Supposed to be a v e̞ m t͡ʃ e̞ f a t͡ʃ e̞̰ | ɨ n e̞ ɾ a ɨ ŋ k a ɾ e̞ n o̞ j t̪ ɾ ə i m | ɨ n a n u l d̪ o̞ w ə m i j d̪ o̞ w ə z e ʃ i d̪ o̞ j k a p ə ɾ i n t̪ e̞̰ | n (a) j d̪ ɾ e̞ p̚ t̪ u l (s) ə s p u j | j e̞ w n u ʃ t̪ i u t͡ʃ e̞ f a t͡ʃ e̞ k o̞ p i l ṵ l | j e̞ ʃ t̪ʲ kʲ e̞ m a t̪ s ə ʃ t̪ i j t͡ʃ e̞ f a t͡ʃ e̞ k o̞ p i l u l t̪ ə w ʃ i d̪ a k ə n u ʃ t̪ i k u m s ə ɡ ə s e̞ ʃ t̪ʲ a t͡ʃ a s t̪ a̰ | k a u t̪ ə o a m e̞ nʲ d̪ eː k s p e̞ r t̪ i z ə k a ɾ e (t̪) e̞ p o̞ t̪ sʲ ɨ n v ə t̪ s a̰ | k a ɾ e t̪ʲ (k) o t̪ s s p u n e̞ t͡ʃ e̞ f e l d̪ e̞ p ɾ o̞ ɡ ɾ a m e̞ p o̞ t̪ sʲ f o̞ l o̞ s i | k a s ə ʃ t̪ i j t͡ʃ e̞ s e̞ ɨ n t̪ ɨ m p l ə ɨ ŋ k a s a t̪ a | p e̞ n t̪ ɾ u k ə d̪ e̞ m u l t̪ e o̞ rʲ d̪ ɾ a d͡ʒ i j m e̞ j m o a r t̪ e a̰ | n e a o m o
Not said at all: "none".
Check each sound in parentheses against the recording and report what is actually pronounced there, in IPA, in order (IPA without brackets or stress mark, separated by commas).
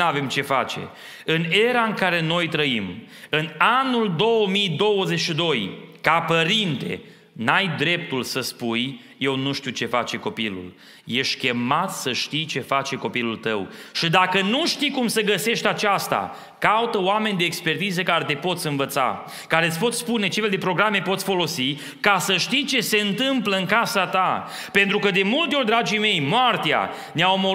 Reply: a, s, t̪, p